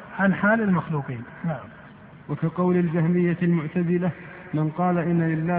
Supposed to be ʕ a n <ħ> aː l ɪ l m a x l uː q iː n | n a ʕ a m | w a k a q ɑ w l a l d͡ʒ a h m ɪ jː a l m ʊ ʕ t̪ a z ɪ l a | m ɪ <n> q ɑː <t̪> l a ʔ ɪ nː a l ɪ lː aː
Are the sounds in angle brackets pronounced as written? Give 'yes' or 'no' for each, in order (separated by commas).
yes, yes, no